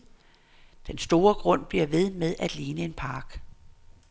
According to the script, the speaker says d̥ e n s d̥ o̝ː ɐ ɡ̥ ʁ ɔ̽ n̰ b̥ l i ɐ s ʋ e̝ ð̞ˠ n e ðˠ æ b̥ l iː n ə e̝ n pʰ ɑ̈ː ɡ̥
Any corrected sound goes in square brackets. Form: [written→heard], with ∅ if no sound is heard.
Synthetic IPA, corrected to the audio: d̥ e n s d̥ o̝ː ɐ ɡ̥ ʁ ɔ̽ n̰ b̥ l i ɐ [s→∅] ʋ e̝ ð̞ˠ [n→m] e ðˠ æ [b̥→d̥] l iː n ə e̝ n pʰ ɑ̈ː ɡ̥